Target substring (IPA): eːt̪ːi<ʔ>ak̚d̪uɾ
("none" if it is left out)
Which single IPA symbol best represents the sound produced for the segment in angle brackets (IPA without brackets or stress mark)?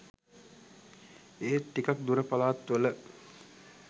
k